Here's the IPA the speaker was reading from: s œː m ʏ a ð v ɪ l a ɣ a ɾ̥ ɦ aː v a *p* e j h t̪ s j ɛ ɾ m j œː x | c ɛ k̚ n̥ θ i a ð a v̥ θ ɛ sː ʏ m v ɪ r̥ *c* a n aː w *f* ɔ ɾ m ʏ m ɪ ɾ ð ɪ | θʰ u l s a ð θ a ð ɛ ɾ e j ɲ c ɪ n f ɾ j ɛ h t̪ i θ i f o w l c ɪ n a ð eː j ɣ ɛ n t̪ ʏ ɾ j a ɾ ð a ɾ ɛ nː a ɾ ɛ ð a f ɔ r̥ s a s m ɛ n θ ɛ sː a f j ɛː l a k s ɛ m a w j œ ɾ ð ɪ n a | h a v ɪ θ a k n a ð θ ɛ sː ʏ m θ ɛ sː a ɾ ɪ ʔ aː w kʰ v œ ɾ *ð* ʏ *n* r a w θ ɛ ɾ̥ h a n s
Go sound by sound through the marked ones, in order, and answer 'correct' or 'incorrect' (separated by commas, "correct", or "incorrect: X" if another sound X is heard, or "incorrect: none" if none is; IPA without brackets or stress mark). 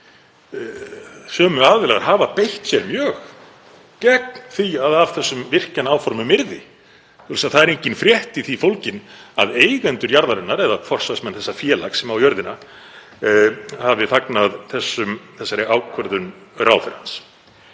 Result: correct, correct, correct, correct, correct